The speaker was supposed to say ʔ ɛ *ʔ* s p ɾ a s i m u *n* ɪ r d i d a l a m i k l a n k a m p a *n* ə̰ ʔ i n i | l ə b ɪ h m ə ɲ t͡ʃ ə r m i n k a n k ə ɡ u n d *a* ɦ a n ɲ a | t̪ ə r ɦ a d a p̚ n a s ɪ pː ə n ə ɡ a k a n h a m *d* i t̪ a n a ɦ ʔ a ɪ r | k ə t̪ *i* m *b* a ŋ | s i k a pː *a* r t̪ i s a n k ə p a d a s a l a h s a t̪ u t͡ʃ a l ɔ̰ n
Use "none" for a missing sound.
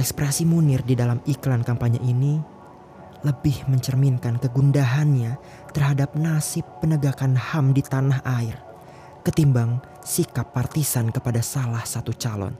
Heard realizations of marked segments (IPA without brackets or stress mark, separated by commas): k, n, ɲ, a, d, i, b, a